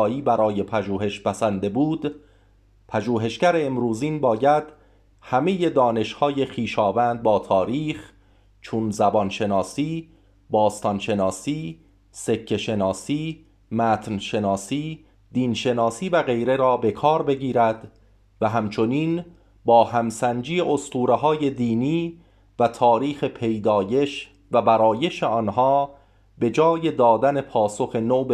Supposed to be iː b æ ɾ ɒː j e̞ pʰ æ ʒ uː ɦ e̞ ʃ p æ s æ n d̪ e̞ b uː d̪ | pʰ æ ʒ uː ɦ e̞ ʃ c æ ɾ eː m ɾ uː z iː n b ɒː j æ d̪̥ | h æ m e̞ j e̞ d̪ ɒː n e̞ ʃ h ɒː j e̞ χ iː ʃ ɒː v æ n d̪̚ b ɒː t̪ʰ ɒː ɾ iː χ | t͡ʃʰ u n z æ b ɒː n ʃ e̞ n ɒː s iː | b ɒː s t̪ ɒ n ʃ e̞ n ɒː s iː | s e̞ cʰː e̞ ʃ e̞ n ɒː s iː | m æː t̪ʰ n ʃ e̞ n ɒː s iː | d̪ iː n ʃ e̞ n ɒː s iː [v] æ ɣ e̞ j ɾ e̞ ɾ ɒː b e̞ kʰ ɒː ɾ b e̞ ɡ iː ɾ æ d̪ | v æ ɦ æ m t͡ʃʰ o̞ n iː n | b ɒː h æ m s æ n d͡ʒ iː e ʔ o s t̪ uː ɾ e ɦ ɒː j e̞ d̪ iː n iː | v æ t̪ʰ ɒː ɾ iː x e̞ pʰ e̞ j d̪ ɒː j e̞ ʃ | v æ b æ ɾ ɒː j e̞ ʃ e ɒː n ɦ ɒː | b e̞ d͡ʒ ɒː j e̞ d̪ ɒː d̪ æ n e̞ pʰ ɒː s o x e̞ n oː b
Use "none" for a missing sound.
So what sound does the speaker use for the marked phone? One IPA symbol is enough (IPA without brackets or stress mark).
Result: v